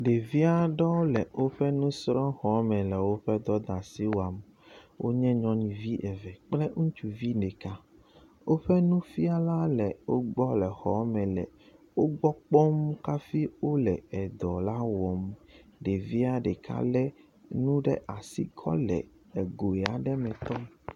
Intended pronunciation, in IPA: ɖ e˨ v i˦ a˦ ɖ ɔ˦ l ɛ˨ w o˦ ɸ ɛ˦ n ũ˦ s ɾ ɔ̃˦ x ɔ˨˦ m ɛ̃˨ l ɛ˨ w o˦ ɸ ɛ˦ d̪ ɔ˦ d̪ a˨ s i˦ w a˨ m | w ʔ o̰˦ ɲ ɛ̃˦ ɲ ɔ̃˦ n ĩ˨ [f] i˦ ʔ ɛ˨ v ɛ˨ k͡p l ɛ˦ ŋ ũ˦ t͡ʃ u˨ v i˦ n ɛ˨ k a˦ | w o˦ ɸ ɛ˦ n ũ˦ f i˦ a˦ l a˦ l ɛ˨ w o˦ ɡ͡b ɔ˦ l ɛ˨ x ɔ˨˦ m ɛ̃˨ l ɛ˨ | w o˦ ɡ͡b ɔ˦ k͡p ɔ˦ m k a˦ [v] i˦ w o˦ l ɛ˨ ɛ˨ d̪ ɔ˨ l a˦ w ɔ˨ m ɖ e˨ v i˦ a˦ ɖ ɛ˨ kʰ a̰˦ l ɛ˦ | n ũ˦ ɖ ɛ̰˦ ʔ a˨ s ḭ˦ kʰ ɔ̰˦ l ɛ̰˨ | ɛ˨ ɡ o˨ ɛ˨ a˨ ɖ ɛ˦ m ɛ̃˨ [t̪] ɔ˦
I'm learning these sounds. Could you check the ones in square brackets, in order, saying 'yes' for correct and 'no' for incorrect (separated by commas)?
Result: no, no, yes